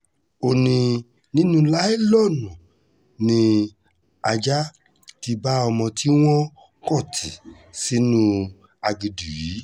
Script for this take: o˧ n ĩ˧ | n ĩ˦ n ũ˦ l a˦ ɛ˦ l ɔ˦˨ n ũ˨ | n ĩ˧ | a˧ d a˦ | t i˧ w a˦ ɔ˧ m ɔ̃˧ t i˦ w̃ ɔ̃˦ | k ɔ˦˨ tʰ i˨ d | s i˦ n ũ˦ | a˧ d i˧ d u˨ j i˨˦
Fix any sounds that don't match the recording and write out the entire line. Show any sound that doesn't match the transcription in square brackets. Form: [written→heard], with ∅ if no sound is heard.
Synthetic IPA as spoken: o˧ n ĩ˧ | n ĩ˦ n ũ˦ l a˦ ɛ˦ l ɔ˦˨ n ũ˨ | n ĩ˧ | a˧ [d→d͡ʒ] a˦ | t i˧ [w→b] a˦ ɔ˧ m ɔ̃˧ t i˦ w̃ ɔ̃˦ | k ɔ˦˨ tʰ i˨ [d→∅] | s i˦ n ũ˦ | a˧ [d→ɡ] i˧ d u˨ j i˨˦